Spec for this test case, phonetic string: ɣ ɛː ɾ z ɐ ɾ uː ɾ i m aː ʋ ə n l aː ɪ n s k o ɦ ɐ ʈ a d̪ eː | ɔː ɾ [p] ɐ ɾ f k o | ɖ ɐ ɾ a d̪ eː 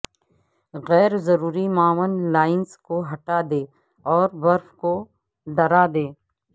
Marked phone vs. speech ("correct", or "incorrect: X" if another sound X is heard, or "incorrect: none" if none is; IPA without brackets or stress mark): incorrect: b